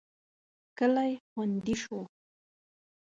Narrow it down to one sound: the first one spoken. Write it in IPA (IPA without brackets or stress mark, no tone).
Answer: k